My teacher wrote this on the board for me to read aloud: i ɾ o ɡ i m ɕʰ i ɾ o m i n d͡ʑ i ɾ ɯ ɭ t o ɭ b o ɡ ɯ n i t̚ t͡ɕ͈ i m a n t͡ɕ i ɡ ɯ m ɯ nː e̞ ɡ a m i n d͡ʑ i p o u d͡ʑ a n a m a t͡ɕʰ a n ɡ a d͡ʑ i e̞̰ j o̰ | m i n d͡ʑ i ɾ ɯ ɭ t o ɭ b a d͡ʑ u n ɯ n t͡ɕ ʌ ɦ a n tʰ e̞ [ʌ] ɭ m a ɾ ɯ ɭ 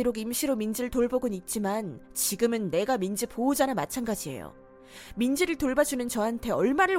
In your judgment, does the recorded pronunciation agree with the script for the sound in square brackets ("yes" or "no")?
yes